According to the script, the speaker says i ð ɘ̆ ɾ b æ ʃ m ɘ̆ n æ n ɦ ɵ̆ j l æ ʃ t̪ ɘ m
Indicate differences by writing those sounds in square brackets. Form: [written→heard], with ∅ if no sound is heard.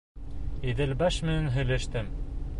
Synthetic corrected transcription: i ð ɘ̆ [ɾ→l] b æ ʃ m ɘ̆ n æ n ɦ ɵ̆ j l æ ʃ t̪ ɘ m

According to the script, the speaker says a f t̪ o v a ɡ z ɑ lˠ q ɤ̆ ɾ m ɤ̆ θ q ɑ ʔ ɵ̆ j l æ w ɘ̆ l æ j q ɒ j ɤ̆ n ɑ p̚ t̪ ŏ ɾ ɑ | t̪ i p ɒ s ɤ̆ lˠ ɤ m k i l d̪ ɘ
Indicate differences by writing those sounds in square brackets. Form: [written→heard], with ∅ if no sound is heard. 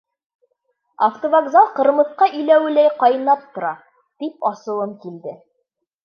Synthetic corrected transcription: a f t̪ o v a ɡ z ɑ lˠ q ɤ̆ ɾ m ɤ̆ θ q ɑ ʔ ɵ̆ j l æ w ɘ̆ l æ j q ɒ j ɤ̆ n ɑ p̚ t̪ ŏ ɾ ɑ | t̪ i p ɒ s ɤ̆ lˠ ɤ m k i l d̪ ɘ

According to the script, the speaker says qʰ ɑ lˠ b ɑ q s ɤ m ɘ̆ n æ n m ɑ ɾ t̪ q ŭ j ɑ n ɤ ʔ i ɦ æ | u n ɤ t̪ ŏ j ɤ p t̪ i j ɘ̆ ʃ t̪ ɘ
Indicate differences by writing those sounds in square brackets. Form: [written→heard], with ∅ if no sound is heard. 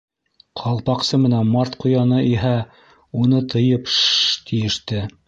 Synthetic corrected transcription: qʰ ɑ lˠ [b→p] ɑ q s ɤ m ɘ̆ n æ n m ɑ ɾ t̪ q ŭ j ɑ n ɤ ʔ i ɦ æ | u n ɤ t̪ [ŏ→ɤ̆] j ɤ p t̪ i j ɘ̆ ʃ t̪ ɘ

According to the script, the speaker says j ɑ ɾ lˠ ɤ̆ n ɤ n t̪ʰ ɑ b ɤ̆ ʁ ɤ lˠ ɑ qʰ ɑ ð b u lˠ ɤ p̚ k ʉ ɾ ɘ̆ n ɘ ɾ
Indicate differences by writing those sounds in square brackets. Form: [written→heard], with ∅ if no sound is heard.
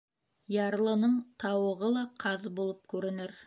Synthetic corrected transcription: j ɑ ɾ lˠ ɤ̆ n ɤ [n→ɴ] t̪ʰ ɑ [b→w] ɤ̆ ʁ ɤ lˠ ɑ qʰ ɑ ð b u lˠ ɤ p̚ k ʉ ɾ ɘ̆ n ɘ ɾ

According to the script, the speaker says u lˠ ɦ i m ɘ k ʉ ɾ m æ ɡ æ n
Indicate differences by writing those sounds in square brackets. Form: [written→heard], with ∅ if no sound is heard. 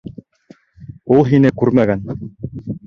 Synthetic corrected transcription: u lˠ ɦ i [m→n] ɘ k ʉ ɾ m æ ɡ æ n

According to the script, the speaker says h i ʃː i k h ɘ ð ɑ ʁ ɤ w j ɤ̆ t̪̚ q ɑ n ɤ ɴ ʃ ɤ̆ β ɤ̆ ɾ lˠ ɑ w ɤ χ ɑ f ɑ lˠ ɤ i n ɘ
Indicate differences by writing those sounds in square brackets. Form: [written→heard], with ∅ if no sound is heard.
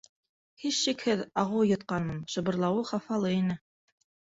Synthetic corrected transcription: h i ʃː i k h ɘ ð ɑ ʁ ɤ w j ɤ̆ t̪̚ q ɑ n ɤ [ɴ→m] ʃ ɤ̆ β ɤ̆ ɾ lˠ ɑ w ɤ χ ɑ f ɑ lˠ ɤ i n ɘ

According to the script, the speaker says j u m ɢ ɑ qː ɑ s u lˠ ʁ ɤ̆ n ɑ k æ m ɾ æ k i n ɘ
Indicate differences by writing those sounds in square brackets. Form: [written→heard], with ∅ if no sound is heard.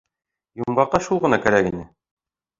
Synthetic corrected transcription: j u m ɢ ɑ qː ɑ [s→ʃ] u lˠ ʁ ɤ̆ n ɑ k æ [m→∅] ɾ æ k i n ɘ

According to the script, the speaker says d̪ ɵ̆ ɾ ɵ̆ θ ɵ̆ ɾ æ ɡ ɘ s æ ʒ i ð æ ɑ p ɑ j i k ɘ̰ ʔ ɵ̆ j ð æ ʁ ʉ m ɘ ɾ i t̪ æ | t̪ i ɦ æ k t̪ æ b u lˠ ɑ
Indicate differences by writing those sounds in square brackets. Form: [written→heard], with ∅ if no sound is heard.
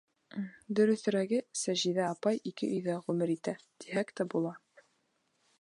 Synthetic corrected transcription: d̪ ɵ̆ ɾ ɵ̆ θ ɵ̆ ɾ æ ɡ ɘ s æ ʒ i ð æ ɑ p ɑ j i k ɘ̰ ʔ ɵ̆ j ð æ ʁ ʉ m ɘ ɾ i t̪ æ | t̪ i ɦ æ k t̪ æ b u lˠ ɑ

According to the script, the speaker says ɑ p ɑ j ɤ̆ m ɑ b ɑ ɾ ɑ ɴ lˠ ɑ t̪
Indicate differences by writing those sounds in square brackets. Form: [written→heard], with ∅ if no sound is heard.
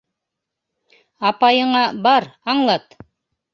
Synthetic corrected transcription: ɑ p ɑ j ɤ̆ [m→ɴ] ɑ b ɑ ɾ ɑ ɴ lˠ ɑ t̪

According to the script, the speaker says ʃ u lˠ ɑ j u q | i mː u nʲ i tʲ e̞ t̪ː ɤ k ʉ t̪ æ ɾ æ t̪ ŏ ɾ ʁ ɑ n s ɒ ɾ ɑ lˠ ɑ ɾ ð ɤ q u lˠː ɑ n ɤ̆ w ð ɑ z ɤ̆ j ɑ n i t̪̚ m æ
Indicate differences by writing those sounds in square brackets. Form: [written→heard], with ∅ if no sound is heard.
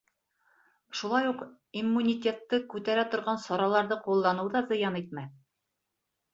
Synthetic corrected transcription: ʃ u lˠ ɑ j u q | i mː u nʲ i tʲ e̞ t̪ː ɤ k ʉ t̪ æ ɾ æ t̪ ŏ ɾ ʁ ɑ n s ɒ ɾ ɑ lˠ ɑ ɾ ð ɤ q u lˠː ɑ n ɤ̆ w ð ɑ z ɤ̆ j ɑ n i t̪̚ m æ

